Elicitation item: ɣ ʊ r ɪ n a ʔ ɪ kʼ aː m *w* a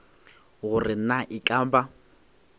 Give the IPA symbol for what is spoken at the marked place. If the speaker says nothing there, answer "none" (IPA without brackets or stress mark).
b